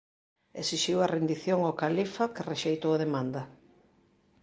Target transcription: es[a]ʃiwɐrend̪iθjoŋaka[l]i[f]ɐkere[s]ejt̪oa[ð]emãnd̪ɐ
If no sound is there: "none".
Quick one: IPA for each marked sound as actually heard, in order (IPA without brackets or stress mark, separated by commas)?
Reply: i, l, f, ʃ, ð